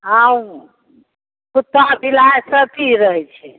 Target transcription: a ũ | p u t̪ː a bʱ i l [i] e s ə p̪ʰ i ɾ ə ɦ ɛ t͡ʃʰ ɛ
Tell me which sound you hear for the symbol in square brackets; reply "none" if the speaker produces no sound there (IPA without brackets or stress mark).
a